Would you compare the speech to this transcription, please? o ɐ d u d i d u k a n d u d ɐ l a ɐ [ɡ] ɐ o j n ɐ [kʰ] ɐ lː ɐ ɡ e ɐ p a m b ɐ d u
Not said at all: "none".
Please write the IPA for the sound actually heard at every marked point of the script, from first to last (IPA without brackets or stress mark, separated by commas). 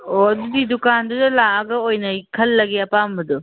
ɡ, kʰ